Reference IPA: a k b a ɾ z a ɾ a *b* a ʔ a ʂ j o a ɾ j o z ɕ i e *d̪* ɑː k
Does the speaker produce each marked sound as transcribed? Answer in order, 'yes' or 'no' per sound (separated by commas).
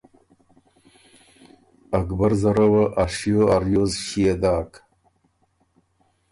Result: no, yes